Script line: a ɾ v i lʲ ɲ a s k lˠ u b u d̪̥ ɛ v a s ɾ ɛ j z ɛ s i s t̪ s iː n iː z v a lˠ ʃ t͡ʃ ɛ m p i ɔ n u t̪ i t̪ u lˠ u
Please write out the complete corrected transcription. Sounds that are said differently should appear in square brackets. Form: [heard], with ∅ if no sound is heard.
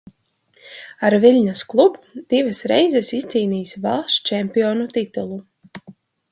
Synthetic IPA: a ɾ v i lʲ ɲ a s k lˠ u b u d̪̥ [i] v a s ɾ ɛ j z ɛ s i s t̪ s iː n iː [s] v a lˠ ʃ t͡ʃ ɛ m p i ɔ n u t̪ i t̪ u lˠ u